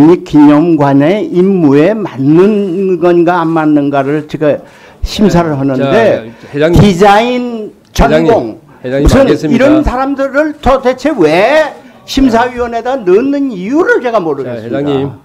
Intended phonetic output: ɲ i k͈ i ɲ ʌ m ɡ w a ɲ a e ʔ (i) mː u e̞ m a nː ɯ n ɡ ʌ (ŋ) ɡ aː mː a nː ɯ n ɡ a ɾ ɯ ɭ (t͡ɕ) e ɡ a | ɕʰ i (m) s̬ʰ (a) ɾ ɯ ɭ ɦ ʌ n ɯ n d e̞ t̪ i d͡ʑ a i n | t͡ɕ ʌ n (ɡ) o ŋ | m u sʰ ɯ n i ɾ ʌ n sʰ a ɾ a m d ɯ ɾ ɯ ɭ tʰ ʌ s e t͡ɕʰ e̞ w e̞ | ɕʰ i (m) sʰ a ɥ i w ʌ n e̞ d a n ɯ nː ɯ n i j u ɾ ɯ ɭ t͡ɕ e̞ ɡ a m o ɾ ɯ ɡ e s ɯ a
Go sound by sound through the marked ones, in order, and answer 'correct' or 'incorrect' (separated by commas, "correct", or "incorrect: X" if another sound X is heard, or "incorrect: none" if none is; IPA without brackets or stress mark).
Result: correct, incorrect: n, correct, correct, correct, correct, correct